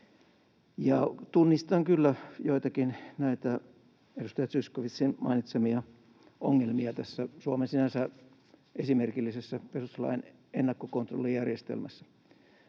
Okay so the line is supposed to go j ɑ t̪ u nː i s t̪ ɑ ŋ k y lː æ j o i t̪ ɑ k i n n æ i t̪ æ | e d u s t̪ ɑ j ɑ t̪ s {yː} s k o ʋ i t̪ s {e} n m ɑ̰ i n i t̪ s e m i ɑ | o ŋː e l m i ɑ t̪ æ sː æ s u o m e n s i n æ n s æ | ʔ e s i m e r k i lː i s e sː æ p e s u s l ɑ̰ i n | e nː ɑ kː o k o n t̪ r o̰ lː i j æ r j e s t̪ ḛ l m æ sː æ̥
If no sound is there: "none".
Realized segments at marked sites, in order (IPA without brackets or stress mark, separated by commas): y, i